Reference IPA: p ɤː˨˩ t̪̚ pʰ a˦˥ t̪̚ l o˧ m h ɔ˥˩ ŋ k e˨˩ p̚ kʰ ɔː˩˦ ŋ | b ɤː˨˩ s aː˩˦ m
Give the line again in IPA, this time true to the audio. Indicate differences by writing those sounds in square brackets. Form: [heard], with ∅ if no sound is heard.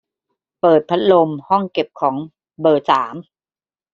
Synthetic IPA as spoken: p ɤː˨˩ t̪̚ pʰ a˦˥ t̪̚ l o˧ m h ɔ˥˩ ŋ k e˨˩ p̚ kʰ ɔː˩˦ ŋ | b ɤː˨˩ s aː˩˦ m